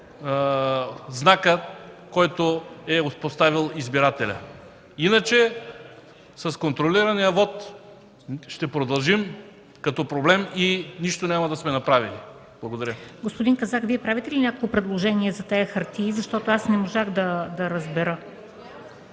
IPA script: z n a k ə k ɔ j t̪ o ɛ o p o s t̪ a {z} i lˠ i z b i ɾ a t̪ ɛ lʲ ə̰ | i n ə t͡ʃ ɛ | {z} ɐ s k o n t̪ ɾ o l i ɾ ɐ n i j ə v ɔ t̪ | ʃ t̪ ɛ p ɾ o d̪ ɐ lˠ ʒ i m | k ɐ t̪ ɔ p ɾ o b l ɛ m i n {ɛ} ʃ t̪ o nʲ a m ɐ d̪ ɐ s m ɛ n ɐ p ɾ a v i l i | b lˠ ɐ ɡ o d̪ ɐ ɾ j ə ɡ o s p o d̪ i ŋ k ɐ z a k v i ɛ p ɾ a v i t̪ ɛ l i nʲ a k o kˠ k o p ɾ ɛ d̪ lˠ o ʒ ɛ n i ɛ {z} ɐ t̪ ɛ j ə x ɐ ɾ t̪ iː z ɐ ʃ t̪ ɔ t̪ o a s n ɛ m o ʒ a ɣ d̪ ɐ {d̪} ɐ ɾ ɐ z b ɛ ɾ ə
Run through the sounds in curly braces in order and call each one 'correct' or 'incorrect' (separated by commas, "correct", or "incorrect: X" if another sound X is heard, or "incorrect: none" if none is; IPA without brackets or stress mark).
incorrect: v, incorrect: s, incorrect: i, correct, correct